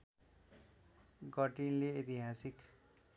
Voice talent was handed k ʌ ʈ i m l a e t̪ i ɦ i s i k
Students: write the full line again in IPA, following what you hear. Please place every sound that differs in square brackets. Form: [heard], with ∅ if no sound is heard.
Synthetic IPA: [ɡ] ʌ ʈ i [n] l [e] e t̪ i ɦ [a] s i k